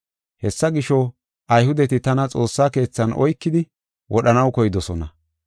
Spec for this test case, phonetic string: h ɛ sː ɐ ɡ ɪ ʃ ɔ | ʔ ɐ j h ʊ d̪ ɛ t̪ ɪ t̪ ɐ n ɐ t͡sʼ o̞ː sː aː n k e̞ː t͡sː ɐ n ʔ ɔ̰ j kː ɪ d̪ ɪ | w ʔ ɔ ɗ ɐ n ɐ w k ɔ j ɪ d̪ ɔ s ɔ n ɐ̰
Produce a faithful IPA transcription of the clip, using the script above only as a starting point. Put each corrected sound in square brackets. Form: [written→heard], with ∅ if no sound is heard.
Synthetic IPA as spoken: h ɛ sː ɐ ɡ ɪ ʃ ɔ | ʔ ɐ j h ʊ d̪ ɛ t̪ ɪ t̪ ɐ n ɐ t͡sʼ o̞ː sː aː [n→∅] k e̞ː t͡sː ɐ n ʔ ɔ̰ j kː ɪ d̪ ɪ | w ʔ ɔ ɗ ɐ n ɐ w k ɔ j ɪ d̪ ɔ s ɔ n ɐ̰